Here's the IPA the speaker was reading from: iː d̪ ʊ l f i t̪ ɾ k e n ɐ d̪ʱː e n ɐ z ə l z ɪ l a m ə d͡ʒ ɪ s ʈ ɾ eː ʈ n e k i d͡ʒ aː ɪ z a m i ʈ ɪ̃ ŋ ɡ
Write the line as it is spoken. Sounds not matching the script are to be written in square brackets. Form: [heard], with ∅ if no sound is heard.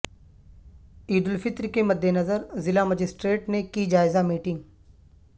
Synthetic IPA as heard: iː d̪ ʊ l f [ɪ] t̪ ɾ k e [m] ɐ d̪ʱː e n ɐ z ə [ɾ] z ɪ l a m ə d͡ʒ ɪ s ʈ ɾ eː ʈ n e k i d͡ʒ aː ɪ z a m [iː] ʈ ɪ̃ ŋ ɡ